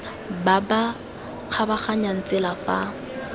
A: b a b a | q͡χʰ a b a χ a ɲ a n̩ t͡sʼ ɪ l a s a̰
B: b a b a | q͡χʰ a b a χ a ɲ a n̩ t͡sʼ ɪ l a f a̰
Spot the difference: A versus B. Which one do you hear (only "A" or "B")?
B